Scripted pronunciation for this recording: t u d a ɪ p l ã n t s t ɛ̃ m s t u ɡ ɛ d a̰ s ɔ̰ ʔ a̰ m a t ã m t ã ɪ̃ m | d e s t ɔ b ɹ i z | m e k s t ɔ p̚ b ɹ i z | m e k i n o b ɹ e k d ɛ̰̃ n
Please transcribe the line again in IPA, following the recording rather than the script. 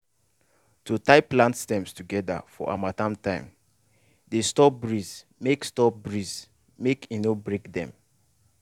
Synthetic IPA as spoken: t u t a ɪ p l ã n t s t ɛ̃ m s t u ɡ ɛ d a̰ f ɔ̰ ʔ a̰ m a t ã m t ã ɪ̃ m | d e s t ɔ b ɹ i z | m e k s t ɔ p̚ b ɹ i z | m e k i n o b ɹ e k d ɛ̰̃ m